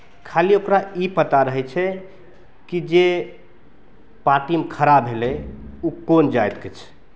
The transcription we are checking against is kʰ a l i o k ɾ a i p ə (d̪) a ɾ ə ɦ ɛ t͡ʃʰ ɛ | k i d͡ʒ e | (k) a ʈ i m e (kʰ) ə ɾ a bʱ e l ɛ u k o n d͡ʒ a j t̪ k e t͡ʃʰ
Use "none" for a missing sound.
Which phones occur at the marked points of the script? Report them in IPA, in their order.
t̪, p, kʰ

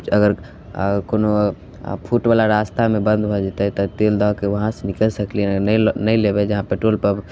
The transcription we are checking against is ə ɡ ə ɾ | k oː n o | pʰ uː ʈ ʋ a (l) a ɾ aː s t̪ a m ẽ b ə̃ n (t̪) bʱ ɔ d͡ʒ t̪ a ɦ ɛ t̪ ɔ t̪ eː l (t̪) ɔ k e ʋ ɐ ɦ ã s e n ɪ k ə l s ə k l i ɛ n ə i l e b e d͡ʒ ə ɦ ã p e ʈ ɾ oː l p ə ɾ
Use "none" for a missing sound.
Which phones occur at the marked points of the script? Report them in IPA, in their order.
l, d̪, d̪

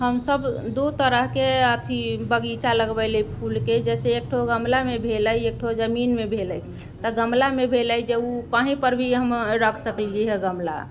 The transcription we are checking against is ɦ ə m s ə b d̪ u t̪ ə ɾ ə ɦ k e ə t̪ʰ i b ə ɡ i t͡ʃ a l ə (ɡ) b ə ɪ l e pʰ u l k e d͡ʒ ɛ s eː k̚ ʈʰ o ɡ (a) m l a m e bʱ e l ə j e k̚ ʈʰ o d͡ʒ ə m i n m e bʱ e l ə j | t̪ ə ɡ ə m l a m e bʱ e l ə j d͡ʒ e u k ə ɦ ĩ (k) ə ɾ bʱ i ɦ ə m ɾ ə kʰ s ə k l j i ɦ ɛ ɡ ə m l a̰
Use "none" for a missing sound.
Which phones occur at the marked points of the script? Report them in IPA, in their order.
ɡ, ə, p

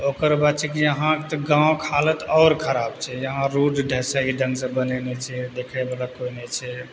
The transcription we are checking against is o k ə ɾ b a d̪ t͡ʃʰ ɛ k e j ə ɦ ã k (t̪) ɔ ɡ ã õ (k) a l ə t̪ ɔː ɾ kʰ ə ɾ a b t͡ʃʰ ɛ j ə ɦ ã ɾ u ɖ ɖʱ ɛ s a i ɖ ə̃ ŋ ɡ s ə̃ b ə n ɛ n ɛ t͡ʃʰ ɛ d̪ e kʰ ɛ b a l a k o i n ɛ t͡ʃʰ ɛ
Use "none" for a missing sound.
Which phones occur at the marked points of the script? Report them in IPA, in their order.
t̪, kʰ

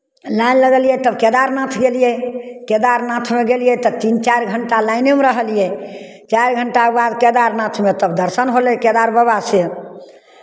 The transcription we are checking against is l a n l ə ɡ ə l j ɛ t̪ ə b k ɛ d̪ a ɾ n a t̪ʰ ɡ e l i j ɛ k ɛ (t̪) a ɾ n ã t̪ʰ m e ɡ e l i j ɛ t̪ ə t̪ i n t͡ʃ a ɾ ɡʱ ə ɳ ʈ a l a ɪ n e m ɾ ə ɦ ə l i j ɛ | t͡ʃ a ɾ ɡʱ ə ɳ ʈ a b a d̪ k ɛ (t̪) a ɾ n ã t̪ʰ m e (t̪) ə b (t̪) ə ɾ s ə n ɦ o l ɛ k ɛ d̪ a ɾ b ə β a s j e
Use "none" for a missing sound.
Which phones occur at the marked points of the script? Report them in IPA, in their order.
d̪, d̪, t̪, d̪

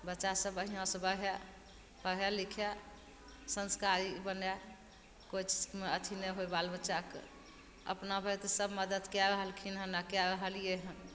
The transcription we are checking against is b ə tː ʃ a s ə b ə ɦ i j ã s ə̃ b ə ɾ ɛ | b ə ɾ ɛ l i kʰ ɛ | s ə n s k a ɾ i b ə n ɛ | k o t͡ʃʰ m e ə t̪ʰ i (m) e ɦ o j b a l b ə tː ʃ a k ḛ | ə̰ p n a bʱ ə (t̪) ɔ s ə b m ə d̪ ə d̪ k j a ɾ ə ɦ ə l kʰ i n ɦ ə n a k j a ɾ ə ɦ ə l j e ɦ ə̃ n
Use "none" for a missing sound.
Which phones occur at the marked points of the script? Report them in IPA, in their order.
n, t̪

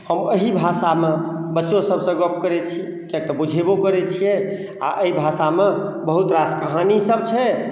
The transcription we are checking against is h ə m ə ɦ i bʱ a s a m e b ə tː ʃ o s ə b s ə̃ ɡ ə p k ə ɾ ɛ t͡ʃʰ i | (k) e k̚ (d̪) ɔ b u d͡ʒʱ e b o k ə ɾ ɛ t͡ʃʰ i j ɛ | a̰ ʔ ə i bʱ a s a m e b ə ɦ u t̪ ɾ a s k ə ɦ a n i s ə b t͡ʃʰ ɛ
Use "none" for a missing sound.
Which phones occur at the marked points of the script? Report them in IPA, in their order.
k, t̪

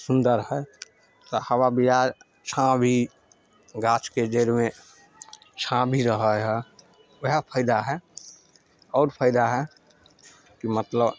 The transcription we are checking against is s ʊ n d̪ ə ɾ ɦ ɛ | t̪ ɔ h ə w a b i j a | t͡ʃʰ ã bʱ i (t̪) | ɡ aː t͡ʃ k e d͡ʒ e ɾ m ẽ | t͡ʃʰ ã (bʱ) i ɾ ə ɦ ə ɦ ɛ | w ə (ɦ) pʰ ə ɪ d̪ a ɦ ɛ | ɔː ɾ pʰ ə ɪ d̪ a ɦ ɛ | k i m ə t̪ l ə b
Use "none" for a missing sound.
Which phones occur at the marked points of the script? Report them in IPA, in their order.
none, bʱ, ɦ

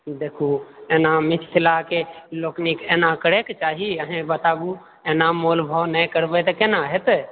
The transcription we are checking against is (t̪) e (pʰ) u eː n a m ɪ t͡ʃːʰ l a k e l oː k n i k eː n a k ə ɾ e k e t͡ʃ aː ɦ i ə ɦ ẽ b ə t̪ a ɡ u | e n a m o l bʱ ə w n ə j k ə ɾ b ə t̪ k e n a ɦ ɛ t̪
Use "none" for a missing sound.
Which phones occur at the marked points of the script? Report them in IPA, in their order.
d̪, kʰ

